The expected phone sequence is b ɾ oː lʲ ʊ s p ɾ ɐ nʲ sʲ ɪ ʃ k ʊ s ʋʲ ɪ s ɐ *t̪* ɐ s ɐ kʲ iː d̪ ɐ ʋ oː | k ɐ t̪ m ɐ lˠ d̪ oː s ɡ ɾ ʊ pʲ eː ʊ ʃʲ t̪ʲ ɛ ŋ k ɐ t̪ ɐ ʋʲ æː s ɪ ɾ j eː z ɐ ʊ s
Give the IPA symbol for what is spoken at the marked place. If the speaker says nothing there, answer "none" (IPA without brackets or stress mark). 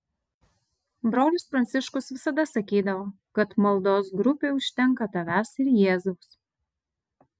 d̪